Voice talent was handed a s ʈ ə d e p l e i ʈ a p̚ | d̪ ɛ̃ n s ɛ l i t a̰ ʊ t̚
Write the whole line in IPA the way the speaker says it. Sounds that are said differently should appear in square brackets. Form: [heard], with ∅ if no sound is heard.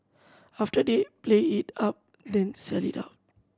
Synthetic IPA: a [f] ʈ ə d e p l e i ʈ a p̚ | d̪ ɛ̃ n s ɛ l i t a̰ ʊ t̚